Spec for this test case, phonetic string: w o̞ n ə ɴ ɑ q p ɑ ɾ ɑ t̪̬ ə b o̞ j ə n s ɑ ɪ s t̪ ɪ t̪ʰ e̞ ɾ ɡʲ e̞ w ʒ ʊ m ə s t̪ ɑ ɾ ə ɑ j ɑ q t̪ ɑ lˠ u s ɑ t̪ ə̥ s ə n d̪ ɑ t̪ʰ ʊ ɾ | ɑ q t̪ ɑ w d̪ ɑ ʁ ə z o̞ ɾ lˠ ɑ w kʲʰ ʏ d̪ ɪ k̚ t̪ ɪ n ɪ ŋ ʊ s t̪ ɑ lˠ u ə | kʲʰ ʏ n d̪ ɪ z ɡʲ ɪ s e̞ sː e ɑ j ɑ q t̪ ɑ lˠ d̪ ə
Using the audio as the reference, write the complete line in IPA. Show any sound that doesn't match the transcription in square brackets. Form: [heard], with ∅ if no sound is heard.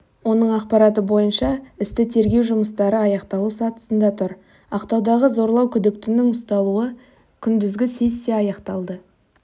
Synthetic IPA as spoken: w o̞ n ə ɴ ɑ q p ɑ ɾ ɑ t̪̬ ə b o̞ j ə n [ʃ] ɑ ɪ s t̪ ɪ t̪ʰ e̞ ɾ ɡʲ e̞ w ʒ ʊ m ə s t̪ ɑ ɾ ə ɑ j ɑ q t̪ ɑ lˠ u s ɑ t̪ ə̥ s ə n d̪ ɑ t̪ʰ ʊ ɾ | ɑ q t̪ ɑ w d̪ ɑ ʁ ə z o̞ ɾ lˠ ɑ w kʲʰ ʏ d̪ ɪ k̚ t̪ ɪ n ɪ ŋ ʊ s t̪ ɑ lˠ u ə | kʲʰ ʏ n d̪ ɪ z ɡʲ ɪ s e̞ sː e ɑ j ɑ q t̪ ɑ lˠ d̪ ə